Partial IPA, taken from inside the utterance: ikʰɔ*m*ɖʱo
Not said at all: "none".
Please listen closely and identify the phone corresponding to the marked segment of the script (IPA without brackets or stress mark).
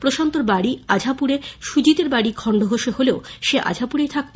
ɳ